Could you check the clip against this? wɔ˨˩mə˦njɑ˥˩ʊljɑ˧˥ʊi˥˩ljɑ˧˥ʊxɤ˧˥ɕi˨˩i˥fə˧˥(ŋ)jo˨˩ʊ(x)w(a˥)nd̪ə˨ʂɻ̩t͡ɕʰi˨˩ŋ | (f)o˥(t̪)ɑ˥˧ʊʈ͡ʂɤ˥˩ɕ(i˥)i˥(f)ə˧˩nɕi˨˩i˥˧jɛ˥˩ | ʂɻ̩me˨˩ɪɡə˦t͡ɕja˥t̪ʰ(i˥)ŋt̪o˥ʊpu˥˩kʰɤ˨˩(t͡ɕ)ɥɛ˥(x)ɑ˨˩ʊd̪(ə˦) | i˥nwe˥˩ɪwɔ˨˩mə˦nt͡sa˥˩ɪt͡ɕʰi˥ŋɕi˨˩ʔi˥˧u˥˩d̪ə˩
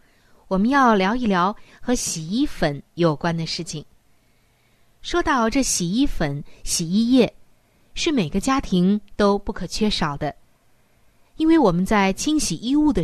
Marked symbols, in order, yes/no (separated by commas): no, no, yes, no, yes, no, yes, no, no, no, yes